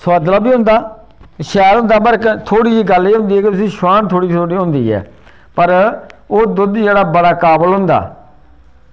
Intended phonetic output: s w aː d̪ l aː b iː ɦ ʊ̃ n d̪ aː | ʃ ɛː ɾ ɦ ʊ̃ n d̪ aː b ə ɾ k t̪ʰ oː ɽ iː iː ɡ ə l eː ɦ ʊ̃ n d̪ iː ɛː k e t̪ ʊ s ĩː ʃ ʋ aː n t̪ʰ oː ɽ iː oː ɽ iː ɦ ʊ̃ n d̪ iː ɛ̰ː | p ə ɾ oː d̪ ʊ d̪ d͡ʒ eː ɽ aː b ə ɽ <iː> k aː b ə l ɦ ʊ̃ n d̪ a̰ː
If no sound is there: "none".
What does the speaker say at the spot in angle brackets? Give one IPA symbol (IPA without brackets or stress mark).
aː